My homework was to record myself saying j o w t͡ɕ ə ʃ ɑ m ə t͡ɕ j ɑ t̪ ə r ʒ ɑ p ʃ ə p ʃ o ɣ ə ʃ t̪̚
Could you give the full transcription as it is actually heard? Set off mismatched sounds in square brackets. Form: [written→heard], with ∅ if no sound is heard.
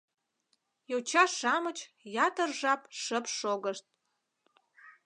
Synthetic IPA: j o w t͡ɕ [ə→ɑ] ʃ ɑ m ə t͡ɕ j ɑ t̪ ə r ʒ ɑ p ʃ ə p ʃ o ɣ ə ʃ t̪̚